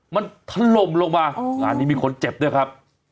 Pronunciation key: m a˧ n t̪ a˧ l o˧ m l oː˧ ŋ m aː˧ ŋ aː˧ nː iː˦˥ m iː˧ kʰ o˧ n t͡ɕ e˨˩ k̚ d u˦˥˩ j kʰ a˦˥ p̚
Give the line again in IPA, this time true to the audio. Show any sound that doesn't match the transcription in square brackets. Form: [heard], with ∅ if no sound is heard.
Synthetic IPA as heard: m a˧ n [t̪ʰ] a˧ l o˧ m l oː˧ ŋ m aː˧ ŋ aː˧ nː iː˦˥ m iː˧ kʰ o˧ n t͡ɕ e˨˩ [p̚] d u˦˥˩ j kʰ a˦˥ p̚